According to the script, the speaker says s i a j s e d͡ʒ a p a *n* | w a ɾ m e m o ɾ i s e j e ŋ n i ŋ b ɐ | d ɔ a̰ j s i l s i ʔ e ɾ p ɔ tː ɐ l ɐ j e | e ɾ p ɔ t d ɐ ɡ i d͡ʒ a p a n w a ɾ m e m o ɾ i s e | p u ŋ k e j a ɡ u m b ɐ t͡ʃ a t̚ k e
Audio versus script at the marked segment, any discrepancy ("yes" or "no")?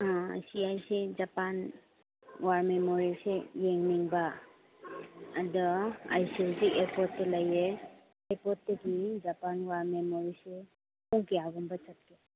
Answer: no